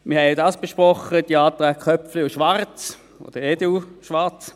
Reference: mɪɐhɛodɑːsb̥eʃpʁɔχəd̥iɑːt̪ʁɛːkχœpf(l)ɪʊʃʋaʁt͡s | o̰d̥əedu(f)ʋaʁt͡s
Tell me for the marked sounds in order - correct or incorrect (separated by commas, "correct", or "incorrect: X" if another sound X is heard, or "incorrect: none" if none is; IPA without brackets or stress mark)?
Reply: correct, incorrect: ʃ